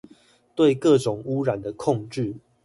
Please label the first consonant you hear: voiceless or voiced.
voiceless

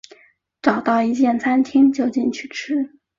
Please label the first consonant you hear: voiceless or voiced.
voiceless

